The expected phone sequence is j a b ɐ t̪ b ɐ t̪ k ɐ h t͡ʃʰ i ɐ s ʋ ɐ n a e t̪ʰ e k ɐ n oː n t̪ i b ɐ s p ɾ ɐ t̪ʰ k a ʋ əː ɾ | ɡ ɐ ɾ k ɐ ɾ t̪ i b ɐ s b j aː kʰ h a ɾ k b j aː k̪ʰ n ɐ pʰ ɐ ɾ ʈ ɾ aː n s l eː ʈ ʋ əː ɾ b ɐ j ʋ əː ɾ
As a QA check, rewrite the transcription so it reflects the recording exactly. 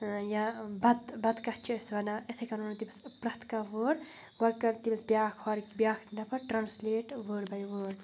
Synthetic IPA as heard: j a b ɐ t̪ b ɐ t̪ k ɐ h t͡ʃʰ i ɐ s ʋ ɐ n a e t̪ʰ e k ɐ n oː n t̪ i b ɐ s p ɾ ɐ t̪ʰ k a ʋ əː ɾ | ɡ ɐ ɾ k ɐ ɾ t̪ i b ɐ s b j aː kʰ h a ɾ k b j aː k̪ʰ n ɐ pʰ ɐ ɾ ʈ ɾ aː n s l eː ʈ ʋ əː ɾ b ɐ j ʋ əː ɾ